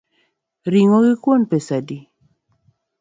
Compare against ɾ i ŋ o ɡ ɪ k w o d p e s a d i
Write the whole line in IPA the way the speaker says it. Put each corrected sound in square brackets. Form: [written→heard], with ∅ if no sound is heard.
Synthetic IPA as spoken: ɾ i ŋ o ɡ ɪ k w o [d→n] p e s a d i